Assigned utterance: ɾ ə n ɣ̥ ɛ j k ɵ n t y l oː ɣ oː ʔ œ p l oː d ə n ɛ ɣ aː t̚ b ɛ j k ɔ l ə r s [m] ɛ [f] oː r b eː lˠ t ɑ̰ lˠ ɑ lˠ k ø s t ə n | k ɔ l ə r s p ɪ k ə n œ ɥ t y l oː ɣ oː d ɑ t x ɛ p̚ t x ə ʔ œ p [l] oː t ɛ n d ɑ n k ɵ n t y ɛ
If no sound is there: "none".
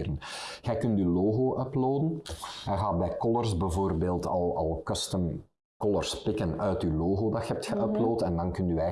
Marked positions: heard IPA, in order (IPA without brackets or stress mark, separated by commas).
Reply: b, v, l